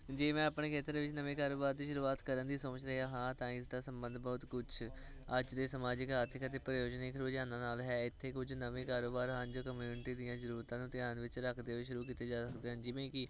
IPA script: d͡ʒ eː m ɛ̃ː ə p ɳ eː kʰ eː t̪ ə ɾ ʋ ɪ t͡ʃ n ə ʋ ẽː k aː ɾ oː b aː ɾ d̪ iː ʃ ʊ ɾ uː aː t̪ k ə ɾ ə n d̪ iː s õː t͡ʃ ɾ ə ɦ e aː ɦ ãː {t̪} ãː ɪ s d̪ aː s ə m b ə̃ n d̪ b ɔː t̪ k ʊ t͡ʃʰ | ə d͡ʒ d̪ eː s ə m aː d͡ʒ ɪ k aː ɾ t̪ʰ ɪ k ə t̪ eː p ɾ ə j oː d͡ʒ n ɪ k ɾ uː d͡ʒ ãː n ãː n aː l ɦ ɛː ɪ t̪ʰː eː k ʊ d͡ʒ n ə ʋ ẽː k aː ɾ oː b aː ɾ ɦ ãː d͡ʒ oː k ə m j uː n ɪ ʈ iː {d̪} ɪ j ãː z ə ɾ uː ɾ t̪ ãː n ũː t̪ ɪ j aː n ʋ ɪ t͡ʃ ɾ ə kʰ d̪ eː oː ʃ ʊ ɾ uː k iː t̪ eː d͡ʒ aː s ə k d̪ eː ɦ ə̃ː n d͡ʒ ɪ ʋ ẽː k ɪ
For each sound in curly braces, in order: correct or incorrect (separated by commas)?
correct, correct